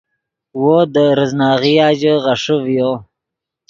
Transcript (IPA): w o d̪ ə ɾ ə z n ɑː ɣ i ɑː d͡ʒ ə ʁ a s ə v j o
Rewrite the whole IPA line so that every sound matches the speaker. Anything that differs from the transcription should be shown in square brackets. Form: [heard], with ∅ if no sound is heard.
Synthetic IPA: w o d̪ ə ɾ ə z n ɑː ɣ i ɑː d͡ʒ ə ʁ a [ʂ] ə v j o